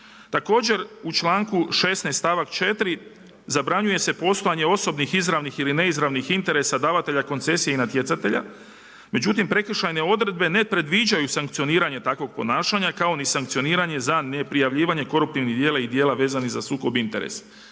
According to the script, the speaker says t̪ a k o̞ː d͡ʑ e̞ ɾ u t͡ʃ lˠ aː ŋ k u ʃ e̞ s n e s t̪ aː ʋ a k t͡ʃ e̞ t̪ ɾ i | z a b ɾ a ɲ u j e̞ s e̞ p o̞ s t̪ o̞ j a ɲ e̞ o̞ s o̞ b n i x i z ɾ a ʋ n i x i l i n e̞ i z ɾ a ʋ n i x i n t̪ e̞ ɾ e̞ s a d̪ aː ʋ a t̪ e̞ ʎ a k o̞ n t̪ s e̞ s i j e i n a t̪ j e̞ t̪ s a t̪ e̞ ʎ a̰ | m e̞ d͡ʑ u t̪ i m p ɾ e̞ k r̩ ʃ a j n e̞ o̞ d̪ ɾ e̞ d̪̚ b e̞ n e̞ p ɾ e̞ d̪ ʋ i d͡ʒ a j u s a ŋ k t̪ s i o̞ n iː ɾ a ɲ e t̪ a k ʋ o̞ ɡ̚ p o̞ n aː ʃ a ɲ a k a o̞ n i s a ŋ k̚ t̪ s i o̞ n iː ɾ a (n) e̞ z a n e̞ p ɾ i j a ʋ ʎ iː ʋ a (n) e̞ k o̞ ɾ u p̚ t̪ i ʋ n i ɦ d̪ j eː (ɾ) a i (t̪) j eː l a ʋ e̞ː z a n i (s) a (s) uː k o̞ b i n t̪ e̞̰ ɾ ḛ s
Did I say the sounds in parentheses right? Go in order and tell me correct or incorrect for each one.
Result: incorrect: ɲ, incorrect: ɲ, incorrect: l, incorrect: d̪, incorrect: z, correct

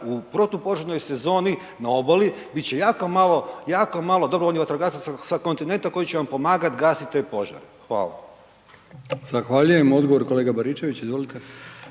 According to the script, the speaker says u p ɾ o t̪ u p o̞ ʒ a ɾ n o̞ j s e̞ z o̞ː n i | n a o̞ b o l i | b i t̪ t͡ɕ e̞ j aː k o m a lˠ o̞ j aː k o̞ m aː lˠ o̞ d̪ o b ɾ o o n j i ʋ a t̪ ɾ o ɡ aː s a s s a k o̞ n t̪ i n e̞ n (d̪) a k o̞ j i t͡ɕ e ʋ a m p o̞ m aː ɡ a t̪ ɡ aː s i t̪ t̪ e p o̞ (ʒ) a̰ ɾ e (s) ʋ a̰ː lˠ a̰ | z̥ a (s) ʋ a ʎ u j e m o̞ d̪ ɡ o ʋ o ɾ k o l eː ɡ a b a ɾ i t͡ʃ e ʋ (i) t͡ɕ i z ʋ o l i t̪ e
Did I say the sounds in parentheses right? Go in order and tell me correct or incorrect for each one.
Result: incorrect: t̪, correct, incorrect: x, incorrect: x, correct

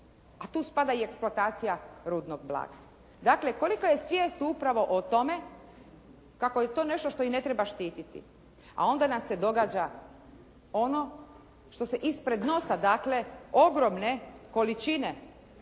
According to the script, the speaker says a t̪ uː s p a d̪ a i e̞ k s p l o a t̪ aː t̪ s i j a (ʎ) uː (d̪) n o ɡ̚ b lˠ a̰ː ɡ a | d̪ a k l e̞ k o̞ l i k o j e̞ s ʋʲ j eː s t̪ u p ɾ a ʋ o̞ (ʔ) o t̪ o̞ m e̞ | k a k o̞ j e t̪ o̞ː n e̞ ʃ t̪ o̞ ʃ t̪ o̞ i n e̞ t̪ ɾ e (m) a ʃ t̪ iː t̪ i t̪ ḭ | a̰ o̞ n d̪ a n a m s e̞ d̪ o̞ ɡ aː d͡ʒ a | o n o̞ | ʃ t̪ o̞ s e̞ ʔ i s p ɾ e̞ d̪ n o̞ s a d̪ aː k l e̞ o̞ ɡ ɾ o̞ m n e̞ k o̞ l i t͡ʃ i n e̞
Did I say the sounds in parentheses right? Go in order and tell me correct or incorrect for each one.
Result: incorrect: ɾ, correct, correct, incorrect: b

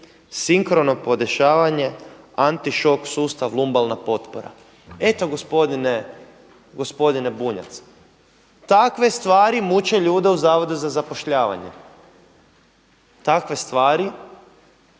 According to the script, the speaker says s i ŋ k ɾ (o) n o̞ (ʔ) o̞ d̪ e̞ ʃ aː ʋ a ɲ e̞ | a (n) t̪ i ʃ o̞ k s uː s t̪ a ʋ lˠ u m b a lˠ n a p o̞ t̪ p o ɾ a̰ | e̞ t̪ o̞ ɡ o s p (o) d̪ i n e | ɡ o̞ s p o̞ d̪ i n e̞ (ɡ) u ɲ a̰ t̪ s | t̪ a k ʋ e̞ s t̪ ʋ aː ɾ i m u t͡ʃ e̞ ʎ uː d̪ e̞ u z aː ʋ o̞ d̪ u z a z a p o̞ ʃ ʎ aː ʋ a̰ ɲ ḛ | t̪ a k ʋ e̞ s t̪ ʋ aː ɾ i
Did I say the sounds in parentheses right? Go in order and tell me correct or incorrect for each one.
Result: correct, incorrect: p, correct, correct, incorrect: b

